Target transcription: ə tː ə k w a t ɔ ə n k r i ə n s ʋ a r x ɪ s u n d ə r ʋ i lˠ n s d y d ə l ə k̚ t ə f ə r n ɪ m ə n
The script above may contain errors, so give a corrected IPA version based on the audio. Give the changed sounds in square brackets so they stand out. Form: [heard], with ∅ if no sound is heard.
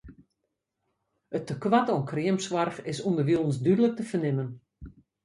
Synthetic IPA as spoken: ə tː ə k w a t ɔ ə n k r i ə [m] s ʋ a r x ɪ s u n d ə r ʋ i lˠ n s d y d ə l ə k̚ t ə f ə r n ɪ m ə n